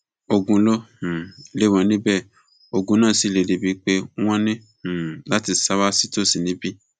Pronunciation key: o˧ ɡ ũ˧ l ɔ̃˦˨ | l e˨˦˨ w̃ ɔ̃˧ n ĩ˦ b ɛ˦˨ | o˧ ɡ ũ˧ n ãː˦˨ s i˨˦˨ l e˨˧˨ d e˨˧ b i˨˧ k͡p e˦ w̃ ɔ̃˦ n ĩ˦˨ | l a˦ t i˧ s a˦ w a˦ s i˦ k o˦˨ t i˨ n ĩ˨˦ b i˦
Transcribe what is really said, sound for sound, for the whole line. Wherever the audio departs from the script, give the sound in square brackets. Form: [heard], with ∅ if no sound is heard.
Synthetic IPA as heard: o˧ ɡ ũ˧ l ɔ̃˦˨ | l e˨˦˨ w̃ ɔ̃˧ n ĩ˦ b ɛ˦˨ | o˧ ɡ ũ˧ n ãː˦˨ s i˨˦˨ l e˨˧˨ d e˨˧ b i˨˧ k͡p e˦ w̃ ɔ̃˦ n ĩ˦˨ | l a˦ t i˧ s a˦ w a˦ s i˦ [t] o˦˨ [s] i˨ n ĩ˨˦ b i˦